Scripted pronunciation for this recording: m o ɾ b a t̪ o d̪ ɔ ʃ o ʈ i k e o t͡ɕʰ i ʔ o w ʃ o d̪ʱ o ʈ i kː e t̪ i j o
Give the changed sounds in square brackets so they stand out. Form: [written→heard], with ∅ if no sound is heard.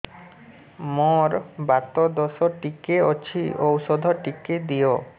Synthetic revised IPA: m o ɾ b a t̪ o d̪ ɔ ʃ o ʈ i k e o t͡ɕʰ i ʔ o w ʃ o d̪ʱ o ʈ i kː e [t̪→d̪] i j o